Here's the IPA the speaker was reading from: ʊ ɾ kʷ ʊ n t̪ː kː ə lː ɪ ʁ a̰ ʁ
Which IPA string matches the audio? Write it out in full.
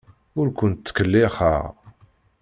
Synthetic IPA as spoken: ʊ ɾ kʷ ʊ n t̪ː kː ə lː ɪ χ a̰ ʁ